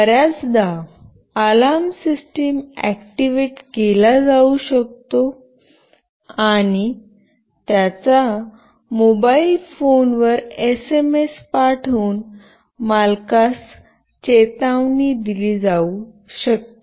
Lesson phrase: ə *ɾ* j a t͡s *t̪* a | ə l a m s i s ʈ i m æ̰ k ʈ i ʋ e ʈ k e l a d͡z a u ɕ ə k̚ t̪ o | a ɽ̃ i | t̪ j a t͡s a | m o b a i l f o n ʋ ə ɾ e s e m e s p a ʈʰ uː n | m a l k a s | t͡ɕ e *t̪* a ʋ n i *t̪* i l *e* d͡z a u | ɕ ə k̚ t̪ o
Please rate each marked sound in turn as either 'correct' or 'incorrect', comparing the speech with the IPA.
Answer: correct, incorrect, correct, incorrect, incorrect

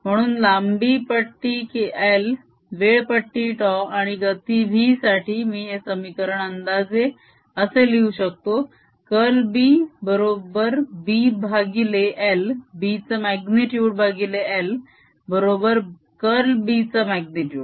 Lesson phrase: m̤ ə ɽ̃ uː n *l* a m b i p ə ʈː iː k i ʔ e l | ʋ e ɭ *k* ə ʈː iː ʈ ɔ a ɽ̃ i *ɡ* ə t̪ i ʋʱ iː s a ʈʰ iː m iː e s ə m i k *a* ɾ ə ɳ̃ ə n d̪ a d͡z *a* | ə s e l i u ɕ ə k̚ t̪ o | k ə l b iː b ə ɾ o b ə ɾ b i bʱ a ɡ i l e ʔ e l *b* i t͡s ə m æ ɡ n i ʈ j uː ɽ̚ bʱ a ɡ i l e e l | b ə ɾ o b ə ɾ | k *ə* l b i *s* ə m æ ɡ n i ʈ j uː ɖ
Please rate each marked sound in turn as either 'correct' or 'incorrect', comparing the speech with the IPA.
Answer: correct, incorrect, correct, incorrect, incorrect, correct, correct, incorrect

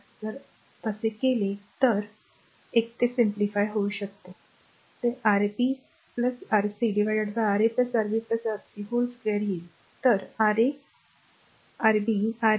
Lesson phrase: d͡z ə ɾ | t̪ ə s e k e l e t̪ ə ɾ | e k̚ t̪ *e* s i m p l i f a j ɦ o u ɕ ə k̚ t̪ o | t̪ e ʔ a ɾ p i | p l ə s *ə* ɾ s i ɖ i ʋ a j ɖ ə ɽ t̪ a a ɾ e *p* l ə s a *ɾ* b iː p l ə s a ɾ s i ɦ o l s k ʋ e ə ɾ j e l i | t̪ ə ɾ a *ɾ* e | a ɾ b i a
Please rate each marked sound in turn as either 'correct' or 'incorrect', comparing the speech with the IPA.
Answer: correct, incorrect, correct, correct, correct

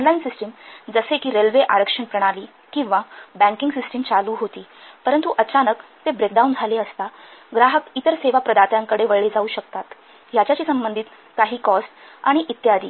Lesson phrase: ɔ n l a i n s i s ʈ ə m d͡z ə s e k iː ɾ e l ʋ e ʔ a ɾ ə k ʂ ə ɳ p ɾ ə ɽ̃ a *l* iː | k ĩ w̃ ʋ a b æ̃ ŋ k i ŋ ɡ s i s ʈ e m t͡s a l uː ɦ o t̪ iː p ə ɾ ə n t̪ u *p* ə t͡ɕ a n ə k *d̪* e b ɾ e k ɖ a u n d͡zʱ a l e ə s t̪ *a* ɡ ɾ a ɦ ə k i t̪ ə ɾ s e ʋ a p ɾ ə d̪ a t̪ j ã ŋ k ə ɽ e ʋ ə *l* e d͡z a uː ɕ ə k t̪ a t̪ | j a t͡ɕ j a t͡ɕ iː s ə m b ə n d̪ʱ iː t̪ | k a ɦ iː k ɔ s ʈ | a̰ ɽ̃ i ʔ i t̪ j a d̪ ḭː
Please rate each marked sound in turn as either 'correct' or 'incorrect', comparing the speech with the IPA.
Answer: correct, incorrect, incorrect, correct, incorrect

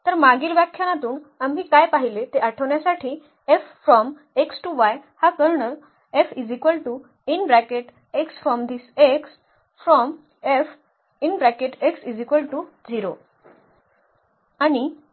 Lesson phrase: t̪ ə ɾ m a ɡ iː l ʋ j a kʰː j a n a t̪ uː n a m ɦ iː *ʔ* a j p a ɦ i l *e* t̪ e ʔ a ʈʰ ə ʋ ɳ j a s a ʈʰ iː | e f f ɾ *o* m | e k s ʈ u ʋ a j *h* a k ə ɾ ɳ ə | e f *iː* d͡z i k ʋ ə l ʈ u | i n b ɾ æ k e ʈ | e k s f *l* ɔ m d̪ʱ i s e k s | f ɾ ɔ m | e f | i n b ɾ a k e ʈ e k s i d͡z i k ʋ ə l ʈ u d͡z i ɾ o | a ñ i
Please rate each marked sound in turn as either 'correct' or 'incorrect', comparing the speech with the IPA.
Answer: incorrect, correct, incorrect, correct, incorrect, incorrect

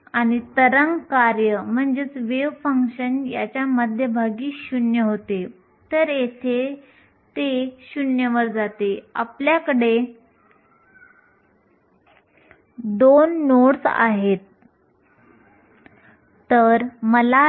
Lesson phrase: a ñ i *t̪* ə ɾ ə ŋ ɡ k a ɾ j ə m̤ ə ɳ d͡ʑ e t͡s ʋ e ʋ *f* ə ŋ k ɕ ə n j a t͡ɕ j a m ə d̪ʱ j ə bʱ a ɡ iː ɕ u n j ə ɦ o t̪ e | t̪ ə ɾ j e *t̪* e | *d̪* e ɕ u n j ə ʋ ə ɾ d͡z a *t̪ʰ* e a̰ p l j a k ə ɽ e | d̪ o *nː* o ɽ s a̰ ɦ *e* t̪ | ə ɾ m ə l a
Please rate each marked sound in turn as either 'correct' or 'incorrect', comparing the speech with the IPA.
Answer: correct, correct, incorrect, incorrect, incorrect, correct, correct

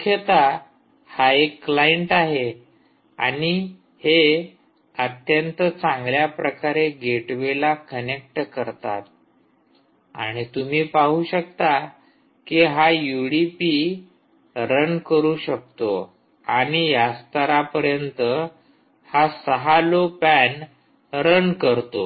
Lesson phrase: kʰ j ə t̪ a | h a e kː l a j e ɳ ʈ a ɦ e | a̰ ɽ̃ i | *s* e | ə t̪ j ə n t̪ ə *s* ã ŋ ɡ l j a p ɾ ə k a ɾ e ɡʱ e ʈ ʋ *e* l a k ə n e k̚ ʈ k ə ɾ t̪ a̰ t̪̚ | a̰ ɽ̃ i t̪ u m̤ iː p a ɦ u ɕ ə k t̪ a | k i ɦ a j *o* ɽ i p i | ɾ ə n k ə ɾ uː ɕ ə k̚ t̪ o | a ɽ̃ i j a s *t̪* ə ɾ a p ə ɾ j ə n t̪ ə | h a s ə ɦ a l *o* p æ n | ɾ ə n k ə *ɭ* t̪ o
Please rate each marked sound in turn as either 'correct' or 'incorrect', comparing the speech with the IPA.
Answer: incorrect, incorrect, correct, incorrect, correct, correct, incorrect

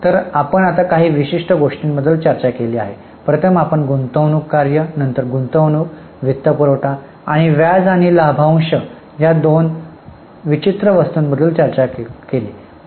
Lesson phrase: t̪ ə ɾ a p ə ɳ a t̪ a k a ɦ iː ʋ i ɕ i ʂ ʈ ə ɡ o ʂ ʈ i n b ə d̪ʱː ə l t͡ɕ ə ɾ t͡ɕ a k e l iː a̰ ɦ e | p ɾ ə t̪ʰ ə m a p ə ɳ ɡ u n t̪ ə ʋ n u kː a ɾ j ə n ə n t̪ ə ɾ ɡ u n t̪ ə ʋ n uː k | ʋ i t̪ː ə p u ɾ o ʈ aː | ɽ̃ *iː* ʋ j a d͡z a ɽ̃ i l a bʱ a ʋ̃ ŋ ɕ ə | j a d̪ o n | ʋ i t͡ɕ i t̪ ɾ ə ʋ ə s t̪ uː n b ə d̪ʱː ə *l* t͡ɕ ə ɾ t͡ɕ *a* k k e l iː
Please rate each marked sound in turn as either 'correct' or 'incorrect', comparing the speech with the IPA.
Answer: incorrect, correct, correct

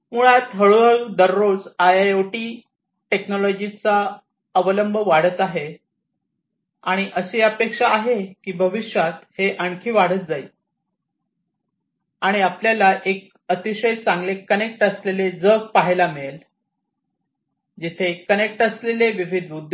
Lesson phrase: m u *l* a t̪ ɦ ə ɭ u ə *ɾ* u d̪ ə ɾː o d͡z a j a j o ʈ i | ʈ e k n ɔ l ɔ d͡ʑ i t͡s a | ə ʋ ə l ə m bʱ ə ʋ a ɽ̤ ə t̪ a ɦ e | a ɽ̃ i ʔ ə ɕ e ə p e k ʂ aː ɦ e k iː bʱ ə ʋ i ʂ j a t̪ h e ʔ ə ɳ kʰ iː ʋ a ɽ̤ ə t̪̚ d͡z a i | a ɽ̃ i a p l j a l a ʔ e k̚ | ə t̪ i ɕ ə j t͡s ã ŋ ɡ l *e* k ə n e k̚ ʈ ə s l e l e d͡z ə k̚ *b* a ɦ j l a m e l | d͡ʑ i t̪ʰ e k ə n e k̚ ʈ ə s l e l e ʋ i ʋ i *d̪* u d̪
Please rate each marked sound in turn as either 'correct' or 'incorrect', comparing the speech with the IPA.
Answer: incorrect, incorrect, correct, incorrect, correct

